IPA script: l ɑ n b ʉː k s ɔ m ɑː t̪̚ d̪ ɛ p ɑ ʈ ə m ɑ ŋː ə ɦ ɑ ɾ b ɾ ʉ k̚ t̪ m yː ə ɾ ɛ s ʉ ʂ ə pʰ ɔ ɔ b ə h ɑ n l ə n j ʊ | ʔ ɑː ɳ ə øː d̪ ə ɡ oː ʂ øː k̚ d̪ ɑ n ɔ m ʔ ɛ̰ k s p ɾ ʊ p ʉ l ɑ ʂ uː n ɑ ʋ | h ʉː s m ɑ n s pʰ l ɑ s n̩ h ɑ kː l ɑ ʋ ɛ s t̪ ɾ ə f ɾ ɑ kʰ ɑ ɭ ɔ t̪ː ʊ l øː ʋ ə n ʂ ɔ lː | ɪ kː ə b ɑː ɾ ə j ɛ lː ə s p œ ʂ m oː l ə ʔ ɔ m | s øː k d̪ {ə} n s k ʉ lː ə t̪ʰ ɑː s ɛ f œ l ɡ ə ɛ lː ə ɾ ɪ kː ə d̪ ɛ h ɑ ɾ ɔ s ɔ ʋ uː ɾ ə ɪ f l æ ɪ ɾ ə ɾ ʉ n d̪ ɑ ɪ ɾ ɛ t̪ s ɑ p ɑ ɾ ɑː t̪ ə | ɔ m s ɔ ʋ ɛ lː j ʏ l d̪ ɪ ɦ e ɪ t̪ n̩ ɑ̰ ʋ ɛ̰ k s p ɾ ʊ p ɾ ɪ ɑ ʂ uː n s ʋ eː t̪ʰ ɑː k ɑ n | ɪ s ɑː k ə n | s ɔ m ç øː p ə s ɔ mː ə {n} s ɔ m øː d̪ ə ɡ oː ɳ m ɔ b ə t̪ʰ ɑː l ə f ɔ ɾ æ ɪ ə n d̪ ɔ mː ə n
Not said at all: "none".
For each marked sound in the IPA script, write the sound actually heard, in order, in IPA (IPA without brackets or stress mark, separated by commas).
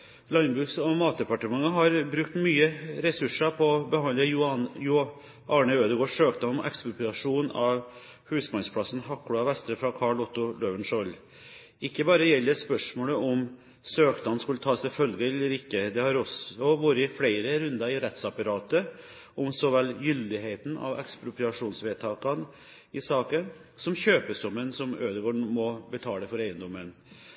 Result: ɑ, n